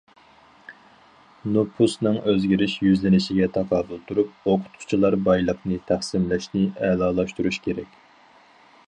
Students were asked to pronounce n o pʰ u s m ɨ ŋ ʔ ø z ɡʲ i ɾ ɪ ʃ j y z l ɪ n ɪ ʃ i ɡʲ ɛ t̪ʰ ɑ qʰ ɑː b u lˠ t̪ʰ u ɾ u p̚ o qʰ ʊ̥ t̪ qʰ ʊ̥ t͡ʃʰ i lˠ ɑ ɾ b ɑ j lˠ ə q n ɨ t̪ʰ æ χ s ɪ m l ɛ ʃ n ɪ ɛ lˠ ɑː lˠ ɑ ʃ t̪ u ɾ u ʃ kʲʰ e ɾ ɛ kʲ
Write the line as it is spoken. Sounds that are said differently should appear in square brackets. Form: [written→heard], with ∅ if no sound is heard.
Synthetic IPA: n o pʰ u s [m→n] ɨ ŋ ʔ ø z ɡʲ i ɾ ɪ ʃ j y z l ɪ n ɪ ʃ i ɡʲ ɛ t̪ʰ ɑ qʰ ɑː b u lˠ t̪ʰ u ɾ u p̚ o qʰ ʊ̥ t̪ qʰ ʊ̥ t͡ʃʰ i lˠ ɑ ɾ b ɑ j lˠ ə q n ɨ t̪ʰ æ χ s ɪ m l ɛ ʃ n ɪ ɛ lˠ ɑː lˠ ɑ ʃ t̪ u ɾ u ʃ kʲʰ e ɾ ɛ kʲ